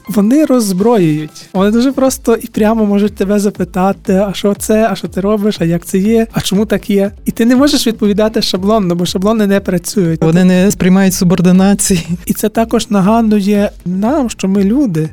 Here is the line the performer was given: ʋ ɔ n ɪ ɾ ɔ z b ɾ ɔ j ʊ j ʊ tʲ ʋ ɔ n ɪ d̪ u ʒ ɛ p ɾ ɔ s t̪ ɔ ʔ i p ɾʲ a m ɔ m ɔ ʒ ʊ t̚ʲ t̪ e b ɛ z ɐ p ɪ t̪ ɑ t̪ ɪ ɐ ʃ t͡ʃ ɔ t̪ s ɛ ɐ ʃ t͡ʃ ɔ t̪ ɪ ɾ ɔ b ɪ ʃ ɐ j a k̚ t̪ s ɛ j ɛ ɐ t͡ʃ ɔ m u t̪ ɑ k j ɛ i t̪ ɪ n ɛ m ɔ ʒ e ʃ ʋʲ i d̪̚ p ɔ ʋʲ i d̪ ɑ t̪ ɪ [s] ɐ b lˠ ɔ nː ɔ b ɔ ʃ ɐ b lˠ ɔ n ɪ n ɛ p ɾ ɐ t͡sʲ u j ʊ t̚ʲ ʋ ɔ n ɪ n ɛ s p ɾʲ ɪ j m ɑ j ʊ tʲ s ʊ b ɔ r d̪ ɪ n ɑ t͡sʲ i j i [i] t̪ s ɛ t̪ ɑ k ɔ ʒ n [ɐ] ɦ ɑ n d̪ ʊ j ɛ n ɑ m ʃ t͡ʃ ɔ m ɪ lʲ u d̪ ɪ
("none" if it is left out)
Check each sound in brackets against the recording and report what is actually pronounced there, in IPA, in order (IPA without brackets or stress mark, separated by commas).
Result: ʃ, i, ɐ